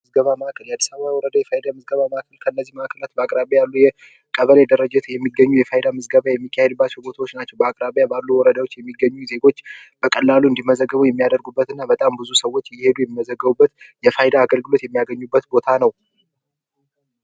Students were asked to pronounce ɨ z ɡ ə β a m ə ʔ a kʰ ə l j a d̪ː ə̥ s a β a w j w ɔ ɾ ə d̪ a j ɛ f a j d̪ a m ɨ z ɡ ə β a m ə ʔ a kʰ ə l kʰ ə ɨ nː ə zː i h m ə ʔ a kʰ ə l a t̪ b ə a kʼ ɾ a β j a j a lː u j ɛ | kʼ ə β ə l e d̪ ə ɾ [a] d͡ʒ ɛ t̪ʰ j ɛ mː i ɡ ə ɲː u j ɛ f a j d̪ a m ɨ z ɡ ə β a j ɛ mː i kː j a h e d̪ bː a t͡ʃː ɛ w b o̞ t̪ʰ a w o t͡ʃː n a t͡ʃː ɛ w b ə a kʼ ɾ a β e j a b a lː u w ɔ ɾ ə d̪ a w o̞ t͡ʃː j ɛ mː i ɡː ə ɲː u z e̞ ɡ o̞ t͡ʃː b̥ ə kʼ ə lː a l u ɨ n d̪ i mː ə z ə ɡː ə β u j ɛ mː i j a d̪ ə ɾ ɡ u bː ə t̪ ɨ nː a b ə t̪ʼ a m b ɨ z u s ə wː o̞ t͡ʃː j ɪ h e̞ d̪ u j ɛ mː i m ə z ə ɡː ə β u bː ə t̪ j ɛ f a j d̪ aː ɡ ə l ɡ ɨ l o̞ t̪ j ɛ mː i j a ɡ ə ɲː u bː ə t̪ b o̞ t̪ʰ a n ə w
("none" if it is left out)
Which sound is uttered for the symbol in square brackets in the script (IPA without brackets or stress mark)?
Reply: ə